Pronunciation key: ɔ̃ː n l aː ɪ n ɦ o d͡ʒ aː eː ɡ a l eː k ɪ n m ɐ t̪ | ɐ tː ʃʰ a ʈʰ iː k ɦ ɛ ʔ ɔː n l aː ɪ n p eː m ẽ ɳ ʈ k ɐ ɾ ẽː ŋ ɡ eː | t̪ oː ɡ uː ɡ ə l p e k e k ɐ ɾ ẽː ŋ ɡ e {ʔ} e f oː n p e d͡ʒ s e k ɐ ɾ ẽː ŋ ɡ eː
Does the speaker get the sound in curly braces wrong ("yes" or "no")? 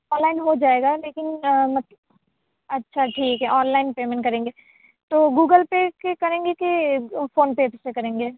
yes